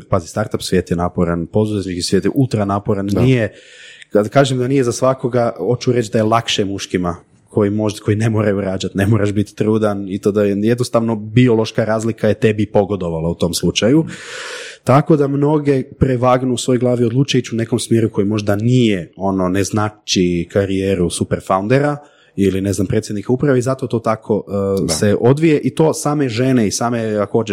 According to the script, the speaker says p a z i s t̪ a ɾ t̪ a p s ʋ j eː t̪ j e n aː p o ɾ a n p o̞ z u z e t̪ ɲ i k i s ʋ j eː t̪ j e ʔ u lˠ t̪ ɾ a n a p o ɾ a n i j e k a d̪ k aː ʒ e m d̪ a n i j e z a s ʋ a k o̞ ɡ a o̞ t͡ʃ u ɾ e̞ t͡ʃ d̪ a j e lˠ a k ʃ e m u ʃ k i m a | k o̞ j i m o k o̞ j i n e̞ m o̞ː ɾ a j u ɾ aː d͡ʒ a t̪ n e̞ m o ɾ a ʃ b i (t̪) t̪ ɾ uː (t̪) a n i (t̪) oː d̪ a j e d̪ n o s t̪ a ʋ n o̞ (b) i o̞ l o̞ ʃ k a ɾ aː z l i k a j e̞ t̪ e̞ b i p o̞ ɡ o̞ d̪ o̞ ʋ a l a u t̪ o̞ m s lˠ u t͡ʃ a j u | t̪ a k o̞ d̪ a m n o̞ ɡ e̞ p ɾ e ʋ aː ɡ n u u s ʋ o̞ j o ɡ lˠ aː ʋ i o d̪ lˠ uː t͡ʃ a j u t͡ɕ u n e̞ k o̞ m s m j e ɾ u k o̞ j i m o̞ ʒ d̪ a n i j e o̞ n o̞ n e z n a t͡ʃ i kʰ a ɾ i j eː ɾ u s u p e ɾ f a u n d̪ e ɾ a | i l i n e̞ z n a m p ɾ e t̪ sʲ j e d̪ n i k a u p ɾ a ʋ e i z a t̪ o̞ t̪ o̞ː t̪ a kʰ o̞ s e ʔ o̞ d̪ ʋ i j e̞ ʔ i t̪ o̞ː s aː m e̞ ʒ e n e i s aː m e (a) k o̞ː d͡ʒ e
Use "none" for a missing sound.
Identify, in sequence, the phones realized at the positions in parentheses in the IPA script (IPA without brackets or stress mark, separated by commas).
t̪, d̪, t̪, b, a